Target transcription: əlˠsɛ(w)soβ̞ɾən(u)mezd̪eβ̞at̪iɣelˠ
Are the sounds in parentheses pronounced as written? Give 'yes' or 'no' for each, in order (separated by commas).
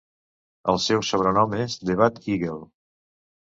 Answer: yes, no